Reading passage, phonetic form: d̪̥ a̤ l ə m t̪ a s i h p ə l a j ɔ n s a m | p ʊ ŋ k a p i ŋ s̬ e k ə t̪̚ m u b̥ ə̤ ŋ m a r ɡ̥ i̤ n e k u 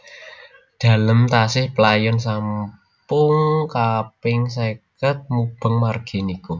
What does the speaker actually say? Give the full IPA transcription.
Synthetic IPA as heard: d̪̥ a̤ l ə m t̪ a s ɪ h p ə l a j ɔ n s a m | p ʊ ŋ k a p ɪ ŋ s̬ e k ə t̪̚ m u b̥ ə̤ ŋ m a r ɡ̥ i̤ n i k u